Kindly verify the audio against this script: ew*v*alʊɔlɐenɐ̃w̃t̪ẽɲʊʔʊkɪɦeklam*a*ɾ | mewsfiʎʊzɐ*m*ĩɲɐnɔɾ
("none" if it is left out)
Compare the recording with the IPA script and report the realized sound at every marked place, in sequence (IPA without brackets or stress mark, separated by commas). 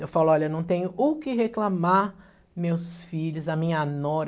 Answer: f, a, m